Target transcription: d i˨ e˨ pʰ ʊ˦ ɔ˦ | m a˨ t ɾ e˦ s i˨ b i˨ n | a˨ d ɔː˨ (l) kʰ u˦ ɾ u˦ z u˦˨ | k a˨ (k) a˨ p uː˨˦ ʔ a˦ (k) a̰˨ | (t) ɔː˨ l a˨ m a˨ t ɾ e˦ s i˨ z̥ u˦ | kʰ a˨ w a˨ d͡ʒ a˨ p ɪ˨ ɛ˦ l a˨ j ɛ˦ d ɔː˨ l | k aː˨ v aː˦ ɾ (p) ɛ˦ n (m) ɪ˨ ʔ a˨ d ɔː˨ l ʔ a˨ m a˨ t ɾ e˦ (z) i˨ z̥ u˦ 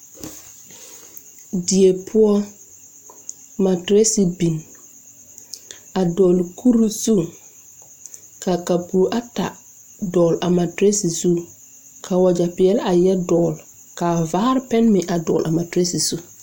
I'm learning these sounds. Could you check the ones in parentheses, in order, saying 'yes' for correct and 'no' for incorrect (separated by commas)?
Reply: yes, yes, no, no, yes, yes, no